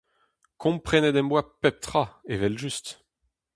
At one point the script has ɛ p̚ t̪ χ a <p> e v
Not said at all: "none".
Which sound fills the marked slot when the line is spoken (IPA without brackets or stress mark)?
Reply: none